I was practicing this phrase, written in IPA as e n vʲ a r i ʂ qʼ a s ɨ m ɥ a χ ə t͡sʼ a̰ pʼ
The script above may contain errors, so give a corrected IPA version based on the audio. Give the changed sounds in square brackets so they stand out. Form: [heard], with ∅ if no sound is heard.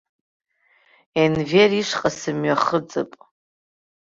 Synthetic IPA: e n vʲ [e] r i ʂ qʼ a s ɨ m ɥ a χ ə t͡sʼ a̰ pʼ